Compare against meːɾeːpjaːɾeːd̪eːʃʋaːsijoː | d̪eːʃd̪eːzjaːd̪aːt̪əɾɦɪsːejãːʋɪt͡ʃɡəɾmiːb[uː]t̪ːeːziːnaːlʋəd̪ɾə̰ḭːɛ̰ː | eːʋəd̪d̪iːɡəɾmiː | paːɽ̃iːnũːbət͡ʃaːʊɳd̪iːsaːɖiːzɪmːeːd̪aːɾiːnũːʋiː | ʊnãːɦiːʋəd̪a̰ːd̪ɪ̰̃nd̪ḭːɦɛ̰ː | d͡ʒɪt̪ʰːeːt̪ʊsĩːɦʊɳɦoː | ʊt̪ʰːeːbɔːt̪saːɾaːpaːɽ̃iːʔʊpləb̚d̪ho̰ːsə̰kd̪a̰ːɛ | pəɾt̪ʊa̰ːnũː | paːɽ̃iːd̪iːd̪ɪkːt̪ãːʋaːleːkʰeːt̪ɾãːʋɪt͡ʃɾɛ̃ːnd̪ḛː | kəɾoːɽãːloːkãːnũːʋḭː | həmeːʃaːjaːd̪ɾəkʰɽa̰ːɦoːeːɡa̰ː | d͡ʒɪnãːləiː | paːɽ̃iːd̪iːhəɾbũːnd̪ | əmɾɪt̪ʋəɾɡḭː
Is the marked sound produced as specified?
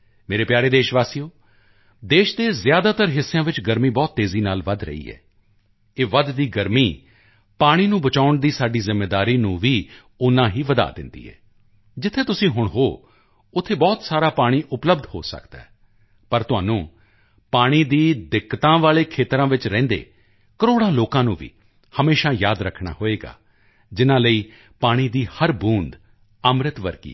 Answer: no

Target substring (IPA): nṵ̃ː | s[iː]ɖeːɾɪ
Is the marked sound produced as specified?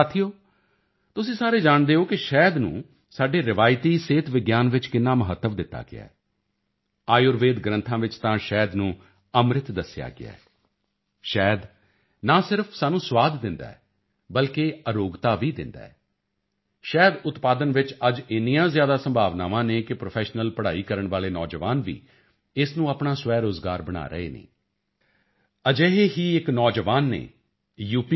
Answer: no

